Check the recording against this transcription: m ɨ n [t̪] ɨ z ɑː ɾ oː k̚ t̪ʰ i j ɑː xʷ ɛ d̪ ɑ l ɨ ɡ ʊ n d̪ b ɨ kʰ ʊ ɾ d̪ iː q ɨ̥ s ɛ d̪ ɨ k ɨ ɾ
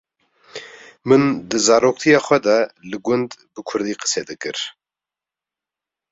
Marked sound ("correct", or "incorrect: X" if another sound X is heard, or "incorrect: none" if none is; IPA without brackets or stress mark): incorrect: d̪